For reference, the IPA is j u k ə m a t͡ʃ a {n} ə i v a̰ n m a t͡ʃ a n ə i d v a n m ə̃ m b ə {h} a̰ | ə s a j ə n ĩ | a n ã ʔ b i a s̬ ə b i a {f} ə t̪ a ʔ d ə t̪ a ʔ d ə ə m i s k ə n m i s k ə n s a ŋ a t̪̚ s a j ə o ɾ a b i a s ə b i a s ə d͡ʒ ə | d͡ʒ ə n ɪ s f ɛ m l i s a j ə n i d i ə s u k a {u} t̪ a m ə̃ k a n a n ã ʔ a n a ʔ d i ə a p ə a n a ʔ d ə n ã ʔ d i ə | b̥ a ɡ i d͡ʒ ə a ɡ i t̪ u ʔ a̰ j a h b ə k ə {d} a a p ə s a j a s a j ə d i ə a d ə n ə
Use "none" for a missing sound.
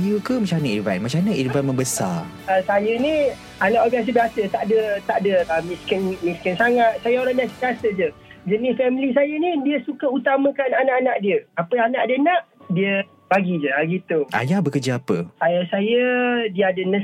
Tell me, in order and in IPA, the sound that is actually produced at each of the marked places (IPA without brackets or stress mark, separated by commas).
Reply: n, s, s, u, d͡ʒ